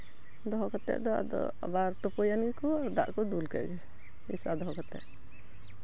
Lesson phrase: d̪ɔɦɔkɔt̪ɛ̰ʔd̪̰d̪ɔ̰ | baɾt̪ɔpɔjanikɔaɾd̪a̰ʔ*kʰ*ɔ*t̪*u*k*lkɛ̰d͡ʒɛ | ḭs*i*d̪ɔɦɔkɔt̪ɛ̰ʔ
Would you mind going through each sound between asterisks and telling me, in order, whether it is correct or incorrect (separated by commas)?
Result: incorrect, incorrect, incorrect, incorrect